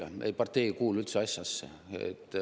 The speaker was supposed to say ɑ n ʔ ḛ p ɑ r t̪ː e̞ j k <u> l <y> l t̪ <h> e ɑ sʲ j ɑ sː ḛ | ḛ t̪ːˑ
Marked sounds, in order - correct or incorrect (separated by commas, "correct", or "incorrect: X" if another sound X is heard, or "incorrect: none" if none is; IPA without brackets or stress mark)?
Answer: incorrect: uː, correct, incorrect: s